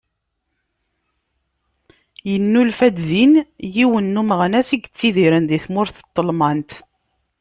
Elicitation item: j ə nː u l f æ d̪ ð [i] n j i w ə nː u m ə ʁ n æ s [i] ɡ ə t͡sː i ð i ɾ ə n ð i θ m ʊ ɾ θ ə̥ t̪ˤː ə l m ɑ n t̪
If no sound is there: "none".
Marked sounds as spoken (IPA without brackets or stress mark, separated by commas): i, i